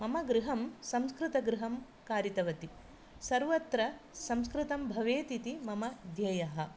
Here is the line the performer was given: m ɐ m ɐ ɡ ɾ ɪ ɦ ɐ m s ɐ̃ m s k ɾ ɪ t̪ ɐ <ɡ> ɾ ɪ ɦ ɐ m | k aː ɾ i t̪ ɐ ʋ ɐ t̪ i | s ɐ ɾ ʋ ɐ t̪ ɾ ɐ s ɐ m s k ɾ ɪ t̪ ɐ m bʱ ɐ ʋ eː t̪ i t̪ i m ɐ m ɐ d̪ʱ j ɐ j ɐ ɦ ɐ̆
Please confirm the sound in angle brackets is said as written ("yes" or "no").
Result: yes